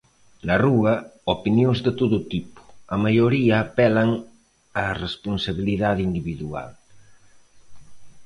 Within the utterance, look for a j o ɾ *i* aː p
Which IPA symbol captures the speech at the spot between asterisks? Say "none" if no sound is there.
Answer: i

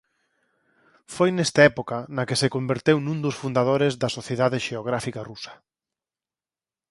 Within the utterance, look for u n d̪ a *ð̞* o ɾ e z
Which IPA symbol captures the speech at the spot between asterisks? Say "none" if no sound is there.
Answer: ð̞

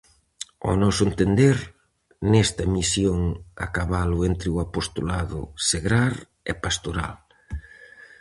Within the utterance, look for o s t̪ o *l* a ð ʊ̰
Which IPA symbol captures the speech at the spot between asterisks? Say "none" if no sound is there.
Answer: l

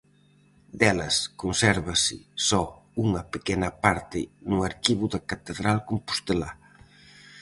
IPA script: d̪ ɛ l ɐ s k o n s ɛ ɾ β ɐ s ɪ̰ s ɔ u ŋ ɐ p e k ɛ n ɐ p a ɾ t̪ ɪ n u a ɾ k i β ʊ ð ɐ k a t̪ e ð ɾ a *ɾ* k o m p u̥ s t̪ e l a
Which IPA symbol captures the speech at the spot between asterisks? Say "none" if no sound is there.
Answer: l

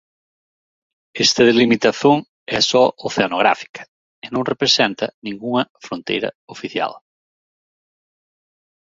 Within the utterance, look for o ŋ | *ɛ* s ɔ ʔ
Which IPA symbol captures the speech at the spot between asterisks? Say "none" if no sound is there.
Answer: ɛ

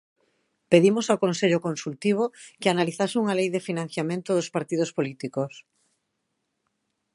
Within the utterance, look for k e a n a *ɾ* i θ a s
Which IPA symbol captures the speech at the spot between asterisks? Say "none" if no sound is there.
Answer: l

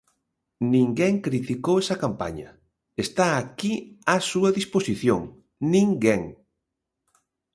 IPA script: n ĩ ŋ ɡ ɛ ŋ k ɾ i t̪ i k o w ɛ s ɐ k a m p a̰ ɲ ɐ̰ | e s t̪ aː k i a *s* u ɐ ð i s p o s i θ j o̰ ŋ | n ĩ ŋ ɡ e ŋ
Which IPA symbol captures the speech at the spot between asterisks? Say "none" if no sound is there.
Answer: s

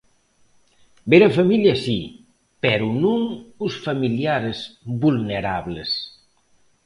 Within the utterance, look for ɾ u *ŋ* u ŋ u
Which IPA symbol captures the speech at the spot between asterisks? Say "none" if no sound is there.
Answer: n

